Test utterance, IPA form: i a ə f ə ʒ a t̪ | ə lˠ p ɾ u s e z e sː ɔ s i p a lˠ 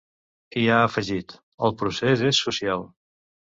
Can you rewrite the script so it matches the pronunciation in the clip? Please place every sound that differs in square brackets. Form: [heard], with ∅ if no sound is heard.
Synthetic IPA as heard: i a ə f ə ʒ [i] t̪ | ə lˠ p ɾ u s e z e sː [u] s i [∅] a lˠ